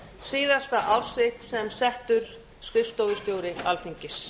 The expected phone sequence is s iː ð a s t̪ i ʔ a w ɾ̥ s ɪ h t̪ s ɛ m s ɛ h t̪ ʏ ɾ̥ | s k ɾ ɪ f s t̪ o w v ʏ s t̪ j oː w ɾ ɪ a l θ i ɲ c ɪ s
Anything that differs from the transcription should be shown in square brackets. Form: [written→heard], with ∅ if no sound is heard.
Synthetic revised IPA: s iː ð a s t̪ [i→a] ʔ a w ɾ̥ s ɪ h t̪ s ɛ m s ɛ h t̪ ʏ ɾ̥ | s k ɾ ɪ f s t̪ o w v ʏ s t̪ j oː w ɾ ɪ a l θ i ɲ c ɪ s